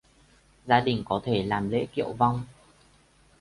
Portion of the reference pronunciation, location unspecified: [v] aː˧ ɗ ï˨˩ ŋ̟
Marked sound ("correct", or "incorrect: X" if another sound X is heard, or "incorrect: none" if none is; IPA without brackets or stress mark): incorrect: z